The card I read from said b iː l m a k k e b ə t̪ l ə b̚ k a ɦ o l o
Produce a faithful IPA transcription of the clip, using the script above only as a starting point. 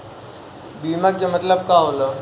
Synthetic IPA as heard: b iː m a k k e m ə t̪ l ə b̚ k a ɦ o l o